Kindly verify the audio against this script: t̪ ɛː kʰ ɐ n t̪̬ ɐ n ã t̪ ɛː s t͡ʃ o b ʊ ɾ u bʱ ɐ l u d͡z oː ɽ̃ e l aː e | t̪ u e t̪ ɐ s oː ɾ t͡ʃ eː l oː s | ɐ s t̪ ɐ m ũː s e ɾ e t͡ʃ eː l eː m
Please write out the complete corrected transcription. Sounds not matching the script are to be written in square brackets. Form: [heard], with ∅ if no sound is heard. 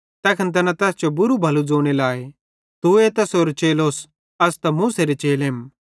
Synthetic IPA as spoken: t̪ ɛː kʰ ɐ n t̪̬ ɐ n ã t̪ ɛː s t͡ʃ o b ʊ ɾ u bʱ ɐ l u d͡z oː ɽ̃ e l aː e | t̪ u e t̪ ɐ s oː ɾ t͡ʃ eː l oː s | ɐ s t̪ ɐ m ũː s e ɾ e t͡ʃ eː l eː m